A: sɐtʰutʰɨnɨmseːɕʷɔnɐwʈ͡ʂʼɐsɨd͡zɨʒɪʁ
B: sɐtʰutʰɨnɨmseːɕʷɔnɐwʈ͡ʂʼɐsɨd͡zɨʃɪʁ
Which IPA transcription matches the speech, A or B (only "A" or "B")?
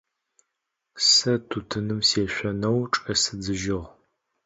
A